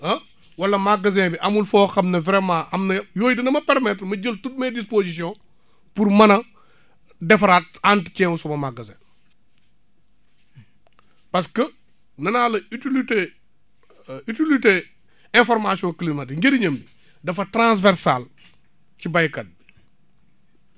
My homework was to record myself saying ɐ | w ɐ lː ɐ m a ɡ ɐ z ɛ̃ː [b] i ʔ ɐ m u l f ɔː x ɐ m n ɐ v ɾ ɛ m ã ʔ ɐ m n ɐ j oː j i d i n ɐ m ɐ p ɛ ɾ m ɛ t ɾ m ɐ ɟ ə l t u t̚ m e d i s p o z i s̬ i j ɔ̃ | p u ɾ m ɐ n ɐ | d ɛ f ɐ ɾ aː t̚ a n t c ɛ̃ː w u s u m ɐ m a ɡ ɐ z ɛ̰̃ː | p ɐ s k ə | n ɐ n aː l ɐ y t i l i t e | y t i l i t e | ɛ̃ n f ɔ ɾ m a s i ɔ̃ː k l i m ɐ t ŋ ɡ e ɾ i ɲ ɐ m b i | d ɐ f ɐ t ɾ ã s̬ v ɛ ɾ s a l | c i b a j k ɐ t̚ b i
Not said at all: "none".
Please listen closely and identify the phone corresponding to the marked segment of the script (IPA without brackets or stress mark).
b